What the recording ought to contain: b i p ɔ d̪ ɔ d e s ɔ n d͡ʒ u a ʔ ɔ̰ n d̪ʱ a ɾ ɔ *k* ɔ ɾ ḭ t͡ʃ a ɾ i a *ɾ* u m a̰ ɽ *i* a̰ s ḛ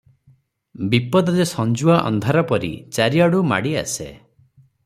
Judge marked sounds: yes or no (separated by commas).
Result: no, no, yes